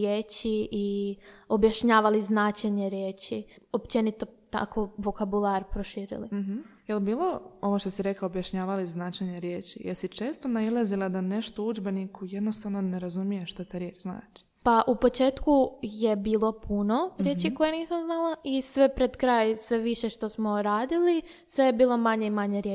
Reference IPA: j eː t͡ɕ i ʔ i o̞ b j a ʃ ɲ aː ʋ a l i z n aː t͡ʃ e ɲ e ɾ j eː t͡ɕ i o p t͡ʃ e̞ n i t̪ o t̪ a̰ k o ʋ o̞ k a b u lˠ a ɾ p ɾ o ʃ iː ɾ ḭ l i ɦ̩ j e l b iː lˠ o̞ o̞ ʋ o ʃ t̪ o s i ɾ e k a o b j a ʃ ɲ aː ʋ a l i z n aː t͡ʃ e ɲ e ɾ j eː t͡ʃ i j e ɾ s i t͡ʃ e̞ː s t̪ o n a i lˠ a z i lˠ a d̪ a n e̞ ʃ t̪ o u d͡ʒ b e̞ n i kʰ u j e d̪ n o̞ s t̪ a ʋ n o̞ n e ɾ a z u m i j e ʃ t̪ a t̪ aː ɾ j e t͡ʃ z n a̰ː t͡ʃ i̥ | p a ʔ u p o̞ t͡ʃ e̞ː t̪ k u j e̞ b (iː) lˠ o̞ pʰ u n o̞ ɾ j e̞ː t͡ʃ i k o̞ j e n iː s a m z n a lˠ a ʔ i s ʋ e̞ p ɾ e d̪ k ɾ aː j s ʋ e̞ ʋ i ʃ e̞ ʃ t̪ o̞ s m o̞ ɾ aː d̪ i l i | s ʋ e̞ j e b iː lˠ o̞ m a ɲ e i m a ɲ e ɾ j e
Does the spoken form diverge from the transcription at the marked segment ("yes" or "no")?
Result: no